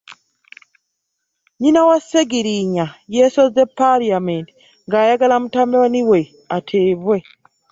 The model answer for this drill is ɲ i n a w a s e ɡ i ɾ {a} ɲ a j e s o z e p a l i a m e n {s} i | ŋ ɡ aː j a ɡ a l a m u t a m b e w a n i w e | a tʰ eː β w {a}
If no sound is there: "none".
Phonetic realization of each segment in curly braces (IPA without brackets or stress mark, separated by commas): i, t, e